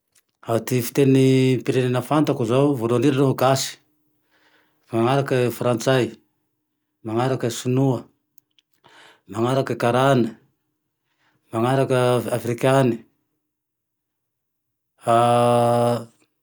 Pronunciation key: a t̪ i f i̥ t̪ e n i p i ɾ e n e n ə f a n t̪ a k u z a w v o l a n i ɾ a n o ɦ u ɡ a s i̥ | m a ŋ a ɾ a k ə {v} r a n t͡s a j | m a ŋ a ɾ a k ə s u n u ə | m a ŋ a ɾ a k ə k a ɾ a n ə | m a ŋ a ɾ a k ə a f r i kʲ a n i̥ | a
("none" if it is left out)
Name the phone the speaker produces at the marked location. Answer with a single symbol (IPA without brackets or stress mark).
f